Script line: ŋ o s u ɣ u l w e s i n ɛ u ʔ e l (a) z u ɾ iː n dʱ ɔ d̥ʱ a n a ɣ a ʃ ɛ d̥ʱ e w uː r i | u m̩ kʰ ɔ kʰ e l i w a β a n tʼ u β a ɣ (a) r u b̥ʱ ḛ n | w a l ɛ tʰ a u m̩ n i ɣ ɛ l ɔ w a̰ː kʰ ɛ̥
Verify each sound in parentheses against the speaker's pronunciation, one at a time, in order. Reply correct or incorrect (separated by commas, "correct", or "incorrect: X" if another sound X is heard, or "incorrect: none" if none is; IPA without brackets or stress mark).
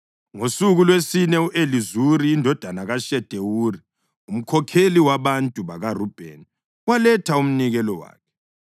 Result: incorrect: i, correct